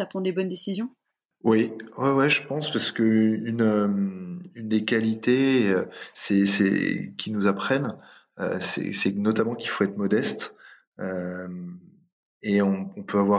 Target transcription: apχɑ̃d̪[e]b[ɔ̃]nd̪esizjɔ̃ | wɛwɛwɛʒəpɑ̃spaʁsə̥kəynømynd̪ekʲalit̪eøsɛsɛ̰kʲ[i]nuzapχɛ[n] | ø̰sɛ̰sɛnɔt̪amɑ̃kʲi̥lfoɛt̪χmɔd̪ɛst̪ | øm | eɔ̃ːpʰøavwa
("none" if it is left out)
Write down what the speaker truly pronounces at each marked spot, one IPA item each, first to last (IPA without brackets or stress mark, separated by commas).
e, ɔ, i, n